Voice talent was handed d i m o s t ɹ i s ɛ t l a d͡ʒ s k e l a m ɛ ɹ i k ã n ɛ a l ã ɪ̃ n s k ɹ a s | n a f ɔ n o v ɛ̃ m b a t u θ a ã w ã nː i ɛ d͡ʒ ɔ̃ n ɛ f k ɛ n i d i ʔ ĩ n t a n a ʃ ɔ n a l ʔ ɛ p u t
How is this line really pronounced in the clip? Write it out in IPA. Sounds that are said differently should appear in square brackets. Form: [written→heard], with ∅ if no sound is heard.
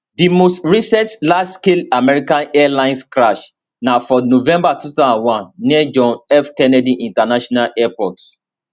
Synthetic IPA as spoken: d i m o s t ɹ i s ɛ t l a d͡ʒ s k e l a m ɛ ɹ i k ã n ɛ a l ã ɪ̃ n s k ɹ a [s→ʃ] | n a f ɔ n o v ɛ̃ m b a t u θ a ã w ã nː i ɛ d͡ʒ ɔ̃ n ɛ f k ɛ n [i→ɛ] d i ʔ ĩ n t a n a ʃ ɔ n a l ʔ ɛ p [u→ɔ] t